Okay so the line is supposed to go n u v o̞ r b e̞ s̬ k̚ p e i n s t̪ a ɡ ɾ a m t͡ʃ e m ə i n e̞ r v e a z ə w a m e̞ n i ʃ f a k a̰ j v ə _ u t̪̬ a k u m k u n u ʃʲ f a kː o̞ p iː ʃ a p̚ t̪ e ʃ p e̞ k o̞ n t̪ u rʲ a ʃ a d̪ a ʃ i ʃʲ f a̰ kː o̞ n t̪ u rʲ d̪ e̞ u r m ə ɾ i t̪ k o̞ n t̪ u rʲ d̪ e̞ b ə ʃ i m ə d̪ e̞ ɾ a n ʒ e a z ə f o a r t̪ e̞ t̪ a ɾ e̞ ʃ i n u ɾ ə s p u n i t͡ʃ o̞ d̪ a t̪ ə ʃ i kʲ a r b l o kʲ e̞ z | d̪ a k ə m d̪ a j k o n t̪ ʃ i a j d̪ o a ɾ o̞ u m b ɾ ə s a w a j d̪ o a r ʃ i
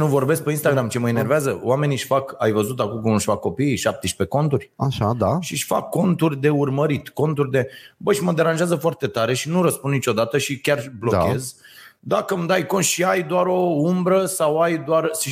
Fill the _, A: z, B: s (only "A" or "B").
A